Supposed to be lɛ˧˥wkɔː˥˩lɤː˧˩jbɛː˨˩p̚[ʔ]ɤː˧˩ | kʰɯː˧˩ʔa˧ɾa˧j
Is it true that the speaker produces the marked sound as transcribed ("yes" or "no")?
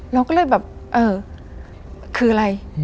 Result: yes